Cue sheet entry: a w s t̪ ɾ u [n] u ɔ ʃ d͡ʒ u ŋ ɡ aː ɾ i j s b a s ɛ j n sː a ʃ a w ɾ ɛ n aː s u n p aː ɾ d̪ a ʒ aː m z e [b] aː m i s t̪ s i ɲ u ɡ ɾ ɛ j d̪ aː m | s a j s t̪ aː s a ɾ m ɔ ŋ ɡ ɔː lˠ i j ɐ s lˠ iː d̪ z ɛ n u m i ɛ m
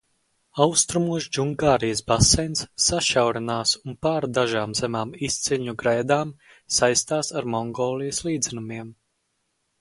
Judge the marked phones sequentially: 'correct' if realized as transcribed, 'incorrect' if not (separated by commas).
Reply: incorrect, incorrect